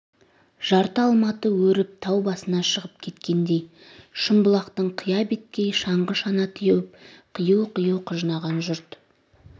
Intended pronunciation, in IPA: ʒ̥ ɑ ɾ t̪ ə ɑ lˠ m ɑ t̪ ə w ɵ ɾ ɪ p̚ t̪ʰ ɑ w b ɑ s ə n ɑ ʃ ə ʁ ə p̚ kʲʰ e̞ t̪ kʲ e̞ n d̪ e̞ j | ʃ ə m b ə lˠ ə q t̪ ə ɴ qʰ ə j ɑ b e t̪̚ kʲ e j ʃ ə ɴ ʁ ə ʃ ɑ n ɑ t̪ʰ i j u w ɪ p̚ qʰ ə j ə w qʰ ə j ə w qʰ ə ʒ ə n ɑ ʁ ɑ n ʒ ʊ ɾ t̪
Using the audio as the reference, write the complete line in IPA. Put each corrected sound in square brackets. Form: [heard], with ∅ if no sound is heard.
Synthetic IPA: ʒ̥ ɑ ɾ t̪ ə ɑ lˠ m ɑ t̪ ə w ɵ ɾ ɪ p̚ t̪ʰ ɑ w b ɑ s ə n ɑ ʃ ə ʁ ə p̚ kʲʰ e̞ t̪ kʲ e̞ n d̪ e̞ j | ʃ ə m b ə lˠ [ɑ] q t̪ ə ɴ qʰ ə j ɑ b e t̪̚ kʲ e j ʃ [ɑ] ɴ ʁ ə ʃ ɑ n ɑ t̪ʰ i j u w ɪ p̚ qʰ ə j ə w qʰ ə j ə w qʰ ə ʒ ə n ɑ ʁ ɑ n ʒ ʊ ɾ t̪

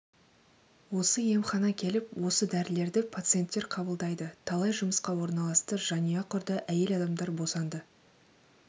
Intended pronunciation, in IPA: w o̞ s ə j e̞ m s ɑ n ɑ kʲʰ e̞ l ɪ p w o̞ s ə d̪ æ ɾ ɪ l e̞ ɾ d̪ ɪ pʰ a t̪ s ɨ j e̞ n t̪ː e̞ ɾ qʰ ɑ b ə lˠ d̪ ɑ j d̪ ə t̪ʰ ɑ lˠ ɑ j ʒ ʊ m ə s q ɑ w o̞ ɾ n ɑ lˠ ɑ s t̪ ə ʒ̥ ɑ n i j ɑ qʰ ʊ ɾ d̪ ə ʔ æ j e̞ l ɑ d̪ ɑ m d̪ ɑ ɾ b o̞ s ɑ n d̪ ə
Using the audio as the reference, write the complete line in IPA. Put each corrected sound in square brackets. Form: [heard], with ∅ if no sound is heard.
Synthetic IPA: w o̞ s ə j e̞ m [χ] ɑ n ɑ kʲʰ e̞ l ɪ p w o̞ s ə d̪ æ ɾ ɪ l e̞ ɾ d̪ ɪ pʰ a t̪ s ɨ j e̞ n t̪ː e̞ ɾ qʰ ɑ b ə lˠ d̪ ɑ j d̪ ə t̪ʰ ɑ lˠ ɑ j ʒ ʊ m ə s q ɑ w o̞ ɾ n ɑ lˠ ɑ s t̪ ə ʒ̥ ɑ n i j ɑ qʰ ʊ ɾ d̪ ə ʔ æ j e̞ l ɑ d̪ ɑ m d̪ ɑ ɾ b o̞ s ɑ n d̪ ə

